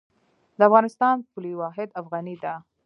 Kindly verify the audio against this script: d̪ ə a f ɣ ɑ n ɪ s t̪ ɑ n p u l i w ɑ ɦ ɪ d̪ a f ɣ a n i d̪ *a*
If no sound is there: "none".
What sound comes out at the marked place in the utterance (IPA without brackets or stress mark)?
a